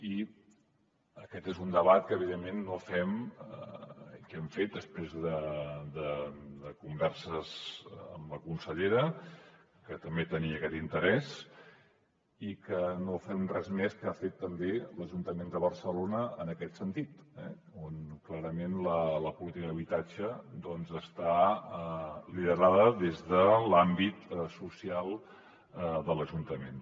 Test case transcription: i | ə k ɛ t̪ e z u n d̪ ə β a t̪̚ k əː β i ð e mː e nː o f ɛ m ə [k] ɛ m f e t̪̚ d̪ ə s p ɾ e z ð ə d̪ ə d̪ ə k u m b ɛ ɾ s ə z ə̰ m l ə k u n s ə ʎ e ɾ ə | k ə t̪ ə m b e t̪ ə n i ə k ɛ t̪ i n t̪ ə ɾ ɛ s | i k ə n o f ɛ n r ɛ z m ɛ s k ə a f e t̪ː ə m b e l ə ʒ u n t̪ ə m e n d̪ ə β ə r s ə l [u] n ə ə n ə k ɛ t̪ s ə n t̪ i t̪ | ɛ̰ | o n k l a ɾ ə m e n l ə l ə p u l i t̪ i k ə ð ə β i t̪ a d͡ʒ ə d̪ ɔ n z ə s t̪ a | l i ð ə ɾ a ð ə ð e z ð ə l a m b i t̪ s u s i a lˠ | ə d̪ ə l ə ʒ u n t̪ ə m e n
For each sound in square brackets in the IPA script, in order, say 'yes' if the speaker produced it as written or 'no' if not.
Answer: yes, no

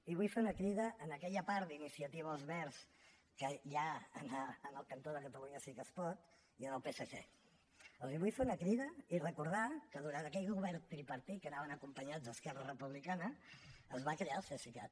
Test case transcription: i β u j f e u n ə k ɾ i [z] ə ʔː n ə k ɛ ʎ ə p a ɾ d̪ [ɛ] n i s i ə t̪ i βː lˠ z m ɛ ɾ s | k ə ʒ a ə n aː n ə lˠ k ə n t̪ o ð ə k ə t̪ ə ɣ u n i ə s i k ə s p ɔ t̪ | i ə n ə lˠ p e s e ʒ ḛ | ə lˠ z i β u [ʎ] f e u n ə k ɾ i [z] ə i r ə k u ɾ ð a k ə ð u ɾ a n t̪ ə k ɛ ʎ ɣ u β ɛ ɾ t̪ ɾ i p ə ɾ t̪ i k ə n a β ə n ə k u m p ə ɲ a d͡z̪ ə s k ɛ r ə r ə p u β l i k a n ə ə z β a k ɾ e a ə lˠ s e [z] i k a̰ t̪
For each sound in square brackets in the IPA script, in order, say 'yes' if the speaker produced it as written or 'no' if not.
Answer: no, no, no, no, no

